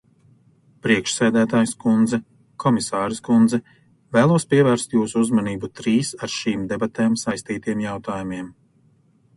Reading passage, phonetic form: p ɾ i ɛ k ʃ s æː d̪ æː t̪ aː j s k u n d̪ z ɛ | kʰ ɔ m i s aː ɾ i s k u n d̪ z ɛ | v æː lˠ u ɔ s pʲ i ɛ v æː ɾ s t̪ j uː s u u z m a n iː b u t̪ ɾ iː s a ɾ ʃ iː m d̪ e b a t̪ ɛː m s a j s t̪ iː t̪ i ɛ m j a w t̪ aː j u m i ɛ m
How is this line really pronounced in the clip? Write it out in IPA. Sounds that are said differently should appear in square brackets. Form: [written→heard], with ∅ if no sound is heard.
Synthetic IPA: p ɾ i ɛ k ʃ s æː d̪ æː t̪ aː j s k u n d̪ z ɛ | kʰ ɔ m i s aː ɾ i s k u n d̪ z ɛ | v æː lˠ u ɔ s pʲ i ɛ v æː ɾ s t̪ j uː s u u z m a n iː b u t̪ ɾ iː s a ɾ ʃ iː m d̪ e b a t̪ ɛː m s a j s t̪ iː t̪ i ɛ m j a w t̪ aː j u m i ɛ m

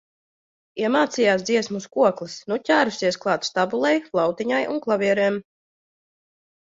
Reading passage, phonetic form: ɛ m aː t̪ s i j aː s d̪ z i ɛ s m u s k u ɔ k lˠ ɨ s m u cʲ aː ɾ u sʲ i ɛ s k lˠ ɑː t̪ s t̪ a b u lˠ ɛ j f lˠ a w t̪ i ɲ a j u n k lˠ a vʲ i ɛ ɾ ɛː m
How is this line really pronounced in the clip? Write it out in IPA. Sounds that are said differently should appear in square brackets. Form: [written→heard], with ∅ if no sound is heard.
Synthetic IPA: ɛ m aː t̪ s i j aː s d̪ z i ɛ s m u s k u ɔ k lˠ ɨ s [m→n] u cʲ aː ɾ u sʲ i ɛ s k lˠ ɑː t̪ s t̪ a b u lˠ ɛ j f lˠ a w t̪ i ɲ a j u n k lˠ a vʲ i ɛ ɾ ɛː m

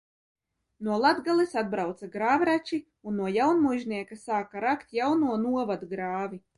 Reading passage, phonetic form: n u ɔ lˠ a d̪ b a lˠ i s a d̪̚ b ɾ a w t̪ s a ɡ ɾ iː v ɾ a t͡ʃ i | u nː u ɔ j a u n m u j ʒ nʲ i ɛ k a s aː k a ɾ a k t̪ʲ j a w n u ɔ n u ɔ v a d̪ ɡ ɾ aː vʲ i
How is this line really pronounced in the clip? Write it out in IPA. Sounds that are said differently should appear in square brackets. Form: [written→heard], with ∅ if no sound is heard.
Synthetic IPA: n u ɔ lˠ a d̪ [b→ɡ] a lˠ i s a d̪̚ b ɾ a w t̪ s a ɡ ɾ [iː→aː] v ɾ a t͡ʃ i | u nː u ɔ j a [u→w] n m u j ʒ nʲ i ɛ k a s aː k a ɾ a k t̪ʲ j a w n u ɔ n u ɔ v a d̪ ɡ ɾ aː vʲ i

